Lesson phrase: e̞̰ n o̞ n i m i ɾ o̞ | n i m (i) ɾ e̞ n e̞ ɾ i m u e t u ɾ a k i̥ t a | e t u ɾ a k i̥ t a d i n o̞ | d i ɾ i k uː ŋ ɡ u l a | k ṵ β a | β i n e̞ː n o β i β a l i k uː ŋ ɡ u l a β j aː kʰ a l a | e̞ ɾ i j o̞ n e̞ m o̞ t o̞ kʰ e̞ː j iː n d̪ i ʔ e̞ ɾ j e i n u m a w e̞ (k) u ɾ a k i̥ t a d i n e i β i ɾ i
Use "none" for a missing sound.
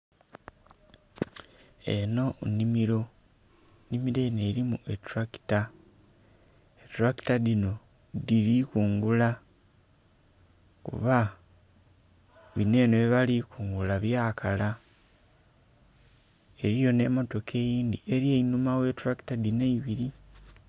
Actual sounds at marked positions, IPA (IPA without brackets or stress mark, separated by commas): i, t